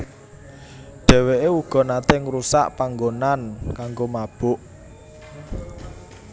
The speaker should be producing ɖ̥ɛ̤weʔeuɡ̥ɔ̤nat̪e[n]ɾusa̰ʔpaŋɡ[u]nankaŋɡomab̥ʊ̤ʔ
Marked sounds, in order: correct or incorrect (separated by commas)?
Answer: incorrect, incorrect